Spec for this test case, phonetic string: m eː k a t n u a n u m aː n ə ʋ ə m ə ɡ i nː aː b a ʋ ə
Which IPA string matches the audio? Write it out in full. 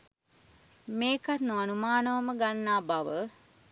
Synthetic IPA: m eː k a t n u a n u m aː n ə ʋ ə m ə ɡ a nː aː b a ʋ ə